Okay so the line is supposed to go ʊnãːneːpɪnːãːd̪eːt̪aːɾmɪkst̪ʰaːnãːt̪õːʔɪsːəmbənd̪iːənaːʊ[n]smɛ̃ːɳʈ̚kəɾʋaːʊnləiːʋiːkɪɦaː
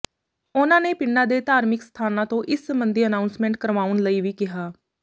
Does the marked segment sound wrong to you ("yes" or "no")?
no